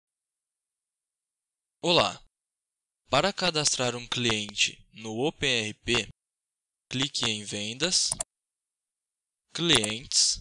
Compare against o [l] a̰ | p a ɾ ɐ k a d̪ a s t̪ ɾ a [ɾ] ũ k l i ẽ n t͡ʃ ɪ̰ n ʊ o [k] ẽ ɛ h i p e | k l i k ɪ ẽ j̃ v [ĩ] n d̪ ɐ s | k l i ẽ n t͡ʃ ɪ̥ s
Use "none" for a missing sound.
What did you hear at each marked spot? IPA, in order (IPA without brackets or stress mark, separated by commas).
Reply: l, ɾ, p, ẽ